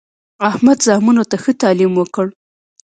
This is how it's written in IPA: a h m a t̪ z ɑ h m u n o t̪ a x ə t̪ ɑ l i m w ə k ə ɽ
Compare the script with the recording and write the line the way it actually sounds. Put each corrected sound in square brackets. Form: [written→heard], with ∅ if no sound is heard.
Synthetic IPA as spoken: a h m a [t̪→d̪] z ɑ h m u n o t̪ a x ə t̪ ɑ l i m w ə k ə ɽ